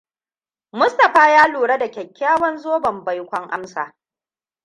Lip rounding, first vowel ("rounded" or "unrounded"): rounded